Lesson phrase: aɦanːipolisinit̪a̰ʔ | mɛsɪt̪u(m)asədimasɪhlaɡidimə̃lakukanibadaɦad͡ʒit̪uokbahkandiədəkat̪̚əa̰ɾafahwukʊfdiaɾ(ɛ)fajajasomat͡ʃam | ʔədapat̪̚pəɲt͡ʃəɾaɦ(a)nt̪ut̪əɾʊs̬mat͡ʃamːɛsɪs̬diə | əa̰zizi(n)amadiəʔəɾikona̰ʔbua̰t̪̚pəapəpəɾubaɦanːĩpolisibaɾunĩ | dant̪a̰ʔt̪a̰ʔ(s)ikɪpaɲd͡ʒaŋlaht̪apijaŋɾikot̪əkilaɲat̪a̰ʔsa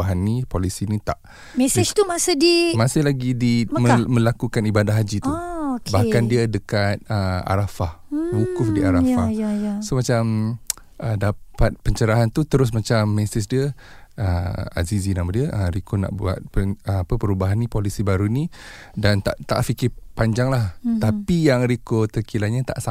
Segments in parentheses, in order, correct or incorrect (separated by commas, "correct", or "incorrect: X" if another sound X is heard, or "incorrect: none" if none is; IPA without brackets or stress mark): correct, incorrect: a, correct, correct, incorrect: f